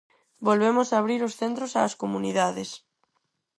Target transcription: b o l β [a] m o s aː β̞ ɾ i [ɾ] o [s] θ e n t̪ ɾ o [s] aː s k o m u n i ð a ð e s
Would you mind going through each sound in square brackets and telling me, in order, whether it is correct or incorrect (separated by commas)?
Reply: incorrect, correct, correct, correct